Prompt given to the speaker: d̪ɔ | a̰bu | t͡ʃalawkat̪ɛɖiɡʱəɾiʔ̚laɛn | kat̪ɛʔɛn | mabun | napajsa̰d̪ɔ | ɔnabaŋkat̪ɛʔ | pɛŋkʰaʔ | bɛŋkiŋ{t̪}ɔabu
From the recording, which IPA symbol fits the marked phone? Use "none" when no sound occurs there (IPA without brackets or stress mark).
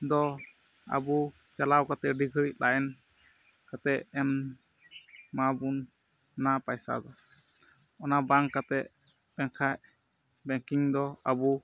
d̪